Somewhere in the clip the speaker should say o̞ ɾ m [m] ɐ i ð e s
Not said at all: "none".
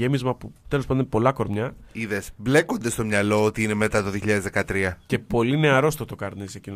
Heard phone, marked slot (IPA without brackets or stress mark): ɲ